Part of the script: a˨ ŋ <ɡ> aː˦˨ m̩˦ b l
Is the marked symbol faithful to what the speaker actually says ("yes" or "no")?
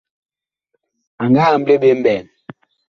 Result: yes